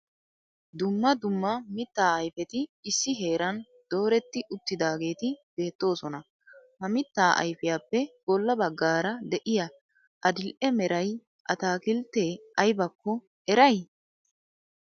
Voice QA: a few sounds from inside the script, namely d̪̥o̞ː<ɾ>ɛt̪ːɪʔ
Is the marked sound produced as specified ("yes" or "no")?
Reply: yes